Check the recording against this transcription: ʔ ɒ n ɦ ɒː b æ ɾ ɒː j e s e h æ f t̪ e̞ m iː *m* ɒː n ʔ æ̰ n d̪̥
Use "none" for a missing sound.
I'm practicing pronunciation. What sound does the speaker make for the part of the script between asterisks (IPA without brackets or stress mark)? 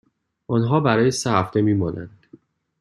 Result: m